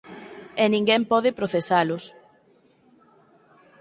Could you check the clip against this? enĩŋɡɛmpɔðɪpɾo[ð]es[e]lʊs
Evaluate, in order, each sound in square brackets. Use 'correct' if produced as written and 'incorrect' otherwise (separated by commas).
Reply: incorrect, incorrect